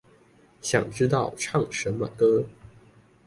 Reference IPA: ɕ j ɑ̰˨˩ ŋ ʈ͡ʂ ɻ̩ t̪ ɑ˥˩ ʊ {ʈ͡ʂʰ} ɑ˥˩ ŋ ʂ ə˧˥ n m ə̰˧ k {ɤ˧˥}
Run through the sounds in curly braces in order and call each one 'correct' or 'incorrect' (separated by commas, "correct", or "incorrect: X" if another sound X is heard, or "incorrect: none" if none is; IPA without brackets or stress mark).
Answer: correct, incorrect: ɤ˥